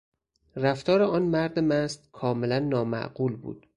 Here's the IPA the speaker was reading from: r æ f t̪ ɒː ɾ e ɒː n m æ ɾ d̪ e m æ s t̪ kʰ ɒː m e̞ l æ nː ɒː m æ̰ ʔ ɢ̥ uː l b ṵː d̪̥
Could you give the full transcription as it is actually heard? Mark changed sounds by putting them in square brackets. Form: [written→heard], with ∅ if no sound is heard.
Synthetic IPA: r æ f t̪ ɒː ɾ e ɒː n m æ ɾ d̪ e m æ s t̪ kʰ ɒː m e̞ l æ nː ɒː m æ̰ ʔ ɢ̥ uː l b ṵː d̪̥